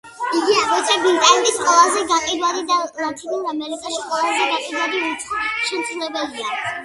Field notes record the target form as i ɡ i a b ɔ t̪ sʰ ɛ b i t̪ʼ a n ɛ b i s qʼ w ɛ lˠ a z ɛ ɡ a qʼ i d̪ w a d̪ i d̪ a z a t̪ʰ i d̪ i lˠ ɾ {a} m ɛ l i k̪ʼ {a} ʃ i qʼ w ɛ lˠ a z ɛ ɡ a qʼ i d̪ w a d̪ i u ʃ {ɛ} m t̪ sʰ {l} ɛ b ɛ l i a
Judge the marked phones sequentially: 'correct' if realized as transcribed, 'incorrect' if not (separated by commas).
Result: correct, correct, correct, correct